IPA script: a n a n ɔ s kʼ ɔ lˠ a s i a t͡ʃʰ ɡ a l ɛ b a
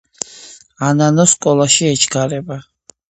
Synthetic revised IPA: a n a n ɔ s kʼ ɔ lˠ a ʃ i ɛ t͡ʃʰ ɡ a ɾ ɛ b a